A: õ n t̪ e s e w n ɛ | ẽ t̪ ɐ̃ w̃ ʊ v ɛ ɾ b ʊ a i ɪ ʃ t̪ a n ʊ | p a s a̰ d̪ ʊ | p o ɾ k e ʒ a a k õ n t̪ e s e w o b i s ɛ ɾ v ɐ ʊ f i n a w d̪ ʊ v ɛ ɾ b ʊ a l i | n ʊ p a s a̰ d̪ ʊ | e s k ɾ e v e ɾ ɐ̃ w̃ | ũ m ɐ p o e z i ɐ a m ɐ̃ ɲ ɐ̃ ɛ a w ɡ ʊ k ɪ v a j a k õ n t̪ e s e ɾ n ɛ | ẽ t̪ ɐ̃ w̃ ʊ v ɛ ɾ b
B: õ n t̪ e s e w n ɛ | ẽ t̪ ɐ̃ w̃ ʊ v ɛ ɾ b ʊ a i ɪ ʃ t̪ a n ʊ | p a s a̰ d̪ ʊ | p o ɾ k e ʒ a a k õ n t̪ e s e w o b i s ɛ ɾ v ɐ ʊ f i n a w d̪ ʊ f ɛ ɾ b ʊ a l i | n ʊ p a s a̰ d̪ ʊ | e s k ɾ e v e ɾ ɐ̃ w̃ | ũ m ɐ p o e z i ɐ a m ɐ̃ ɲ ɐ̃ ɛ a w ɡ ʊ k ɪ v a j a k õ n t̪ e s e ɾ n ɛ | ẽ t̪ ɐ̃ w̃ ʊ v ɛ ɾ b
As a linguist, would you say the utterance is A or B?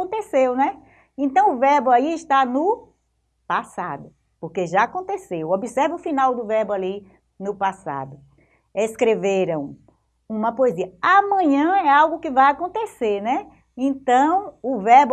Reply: A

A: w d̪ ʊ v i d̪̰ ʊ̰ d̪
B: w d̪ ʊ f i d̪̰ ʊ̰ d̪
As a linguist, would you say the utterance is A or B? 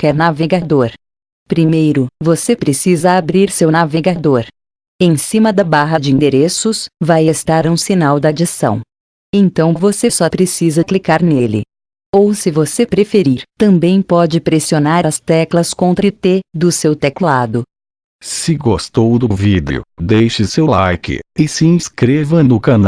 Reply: A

